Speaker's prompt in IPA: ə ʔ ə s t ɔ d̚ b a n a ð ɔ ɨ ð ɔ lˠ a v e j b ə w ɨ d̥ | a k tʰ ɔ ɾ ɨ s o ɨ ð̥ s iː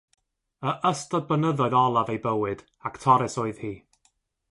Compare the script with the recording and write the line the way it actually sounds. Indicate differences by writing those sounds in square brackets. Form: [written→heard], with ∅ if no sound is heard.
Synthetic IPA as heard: ə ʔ ə s t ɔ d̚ b [a→ə] n [a→ə] ð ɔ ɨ ð ɔ lˠ a v e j b ə w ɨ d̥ | a k tʰ ɔ ɾ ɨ s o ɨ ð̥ [s→h] iː